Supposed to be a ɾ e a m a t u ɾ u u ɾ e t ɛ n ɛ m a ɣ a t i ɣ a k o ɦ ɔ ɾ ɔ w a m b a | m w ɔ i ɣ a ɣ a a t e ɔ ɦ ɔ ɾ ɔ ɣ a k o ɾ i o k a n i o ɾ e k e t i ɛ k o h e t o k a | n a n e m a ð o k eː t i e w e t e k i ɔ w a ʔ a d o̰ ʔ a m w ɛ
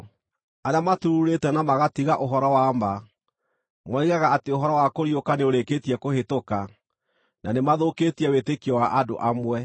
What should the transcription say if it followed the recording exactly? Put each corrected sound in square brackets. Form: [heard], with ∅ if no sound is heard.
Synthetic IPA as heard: a ɾ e a m a t u ɾ u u ɾ e t ɛ n [a] m a ɣ a t i ɣ a [ʔ] o ɦ ɔ ɾ ɔ w a m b a | m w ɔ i ɣ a ɣ a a t e [o] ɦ ɔ ɾ ɔ [w] a k o ɾ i o k a n [e] o ɾ e k e t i ɛ k o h e t o k a | n a n e m a ð o k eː t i [ɛ] w e t e k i ɔ w a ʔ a d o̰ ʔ a m w ɛ